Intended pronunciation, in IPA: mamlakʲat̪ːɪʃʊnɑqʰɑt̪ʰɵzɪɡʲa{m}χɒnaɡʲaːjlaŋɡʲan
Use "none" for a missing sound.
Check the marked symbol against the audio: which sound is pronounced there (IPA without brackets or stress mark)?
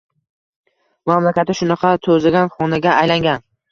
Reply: n